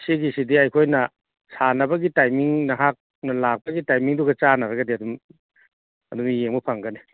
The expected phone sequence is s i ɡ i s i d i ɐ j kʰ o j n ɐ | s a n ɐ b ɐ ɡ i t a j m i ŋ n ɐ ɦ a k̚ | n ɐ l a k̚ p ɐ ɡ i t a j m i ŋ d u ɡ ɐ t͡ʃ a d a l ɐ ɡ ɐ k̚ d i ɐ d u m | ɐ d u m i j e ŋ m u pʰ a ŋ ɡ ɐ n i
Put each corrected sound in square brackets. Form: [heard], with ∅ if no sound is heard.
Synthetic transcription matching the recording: s i ɡ i s i d i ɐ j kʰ o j n ɐ | s a n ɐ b ɐ ɡ i t a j m i ŋ n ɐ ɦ a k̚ | n ɐ l a k̚ p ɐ ɡ i t a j m i ŋ d u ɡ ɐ t͡ʃ a [n] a [ɾ] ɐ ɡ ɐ [∅] d i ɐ d u m | ɐ d u m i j e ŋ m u pʰ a ŋ ɡ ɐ n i